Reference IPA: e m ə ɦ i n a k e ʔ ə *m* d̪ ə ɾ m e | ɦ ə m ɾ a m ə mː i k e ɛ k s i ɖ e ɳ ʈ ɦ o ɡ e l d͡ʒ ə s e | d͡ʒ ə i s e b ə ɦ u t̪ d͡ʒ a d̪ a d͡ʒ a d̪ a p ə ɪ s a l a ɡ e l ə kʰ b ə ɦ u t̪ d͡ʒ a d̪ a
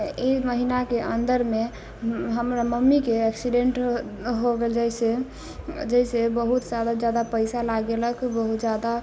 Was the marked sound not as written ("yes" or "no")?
yes